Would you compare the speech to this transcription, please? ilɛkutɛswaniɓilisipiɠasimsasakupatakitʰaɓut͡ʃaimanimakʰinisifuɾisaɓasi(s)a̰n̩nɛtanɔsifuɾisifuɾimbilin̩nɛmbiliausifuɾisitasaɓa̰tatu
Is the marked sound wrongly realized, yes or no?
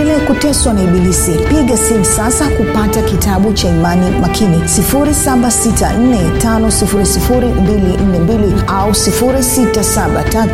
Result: yes